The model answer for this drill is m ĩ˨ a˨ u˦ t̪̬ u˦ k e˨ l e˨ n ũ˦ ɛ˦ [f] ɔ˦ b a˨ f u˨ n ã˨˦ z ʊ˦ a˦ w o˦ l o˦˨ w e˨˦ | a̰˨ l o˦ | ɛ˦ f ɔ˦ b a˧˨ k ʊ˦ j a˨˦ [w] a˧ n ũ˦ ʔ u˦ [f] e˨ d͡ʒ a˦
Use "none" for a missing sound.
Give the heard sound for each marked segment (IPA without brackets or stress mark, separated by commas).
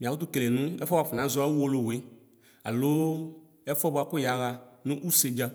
f, ɣ, s